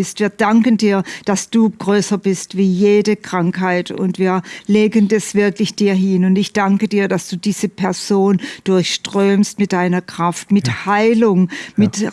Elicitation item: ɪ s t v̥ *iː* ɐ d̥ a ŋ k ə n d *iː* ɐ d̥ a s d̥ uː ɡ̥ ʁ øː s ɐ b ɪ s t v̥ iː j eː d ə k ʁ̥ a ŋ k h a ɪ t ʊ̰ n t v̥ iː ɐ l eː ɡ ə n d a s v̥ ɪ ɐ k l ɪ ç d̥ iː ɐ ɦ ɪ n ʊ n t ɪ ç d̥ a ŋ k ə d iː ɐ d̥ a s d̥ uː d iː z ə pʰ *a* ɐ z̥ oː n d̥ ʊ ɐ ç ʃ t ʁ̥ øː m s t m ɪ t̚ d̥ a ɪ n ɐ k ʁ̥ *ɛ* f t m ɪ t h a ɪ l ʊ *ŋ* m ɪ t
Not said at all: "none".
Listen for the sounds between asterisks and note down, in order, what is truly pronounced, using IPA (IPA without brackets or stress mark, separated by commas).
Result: iː, iː, ɛ, a, ŋ